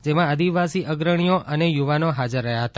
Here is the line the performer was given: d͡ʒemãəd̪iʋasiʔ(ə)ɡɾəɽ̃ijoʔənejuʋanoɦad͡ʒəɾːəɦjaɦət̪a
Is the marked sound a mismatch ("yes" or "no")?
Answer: no